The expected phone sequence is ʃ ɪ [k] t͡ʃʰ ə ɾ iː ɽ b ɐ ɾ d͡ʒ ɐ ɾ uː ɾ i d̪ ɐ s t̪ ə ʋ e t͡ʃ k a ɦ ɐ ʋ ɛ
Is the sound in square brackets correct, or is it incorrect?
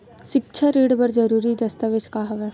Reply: correct